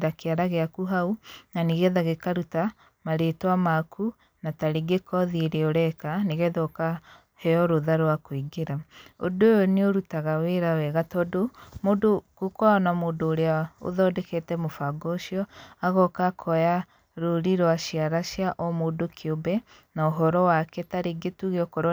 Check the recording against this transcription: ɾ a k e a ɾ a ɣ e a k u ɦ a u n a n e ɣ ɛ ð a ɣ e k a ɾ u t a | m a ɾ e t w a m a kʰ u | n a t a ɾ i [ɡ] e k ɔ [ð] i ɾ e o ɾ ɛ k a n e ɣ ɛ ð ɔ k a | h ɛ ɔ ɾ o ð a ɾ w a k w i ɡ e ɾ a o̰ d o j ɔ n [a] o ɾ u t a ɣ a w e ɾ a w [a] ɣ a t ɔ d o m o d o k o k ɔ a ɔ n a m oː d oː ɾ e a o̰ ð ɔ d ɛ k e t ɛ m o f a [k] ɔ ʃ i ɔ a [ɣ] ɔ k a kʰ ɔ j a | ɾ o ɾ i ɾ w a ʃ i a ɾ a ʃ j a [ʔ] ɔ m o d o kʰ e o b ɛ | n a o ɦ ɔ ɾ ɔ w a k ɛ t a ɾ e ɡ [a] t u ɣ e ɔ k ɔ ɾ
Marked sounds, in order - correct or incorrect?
correct, correct, incorrect, incorrect, incorrect, correct, correct, incorrect

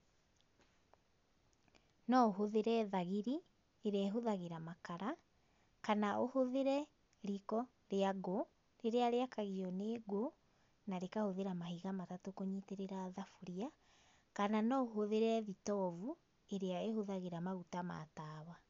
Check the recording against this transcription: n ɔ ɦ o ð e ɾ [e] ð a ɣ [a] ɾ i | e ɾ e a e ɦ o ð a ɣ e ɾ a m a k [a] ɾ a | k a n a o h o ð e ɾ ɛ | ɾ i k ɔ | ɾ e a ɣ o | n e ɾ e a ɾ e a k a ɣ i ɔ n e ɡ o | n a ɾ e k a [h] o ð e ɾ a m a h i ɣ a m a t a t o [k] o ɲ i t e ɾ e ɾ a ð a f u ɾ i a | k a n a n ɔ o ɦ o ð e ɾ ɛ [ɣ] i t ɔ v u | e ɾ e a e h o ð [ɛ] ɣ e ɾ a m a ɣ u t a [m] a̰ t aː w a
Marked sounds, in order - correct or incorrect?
incorrect, incorrect, correct, correct, correct, incorrect, incorrect, correct

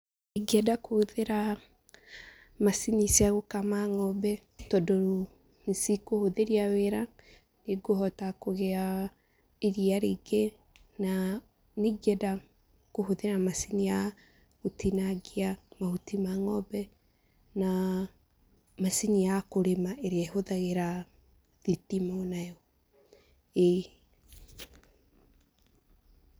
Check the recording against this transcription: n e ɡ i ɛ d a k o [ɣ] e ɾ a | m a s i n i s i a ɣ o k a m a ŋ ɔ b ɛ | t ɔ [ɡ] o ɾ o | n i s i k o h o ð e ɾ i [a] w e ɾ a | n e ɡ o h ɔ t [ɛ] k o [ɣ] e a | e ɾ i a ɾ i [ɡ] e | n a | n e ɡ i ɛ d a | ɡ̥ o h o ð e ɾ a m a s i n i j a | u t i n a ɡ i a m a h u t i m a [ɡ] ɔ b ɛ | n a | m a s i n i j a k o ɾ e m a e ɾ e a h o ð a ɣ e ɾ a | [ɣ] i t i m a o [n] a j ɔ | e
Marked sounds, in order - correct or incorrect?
incorrect, incorrect, correct, incorrect, correct, correct, incorrect, incorrect, correct

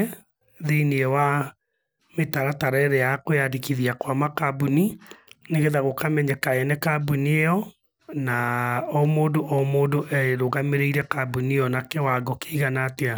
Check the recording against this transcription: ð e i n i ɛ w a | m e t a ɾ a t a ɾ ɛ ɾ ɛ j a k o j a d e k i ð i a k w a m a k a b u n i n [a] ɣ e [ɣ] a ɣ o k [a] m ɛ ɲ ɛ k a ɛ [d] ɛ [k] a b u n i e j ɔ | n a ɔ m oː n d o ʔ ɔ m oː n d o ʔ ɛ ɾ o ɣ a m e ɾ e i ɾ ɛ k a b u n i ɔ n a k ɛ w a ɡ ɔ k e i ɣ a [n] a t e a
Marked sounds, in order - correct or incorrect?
incorrect, incorrect, correct, incorrect, correct, correct

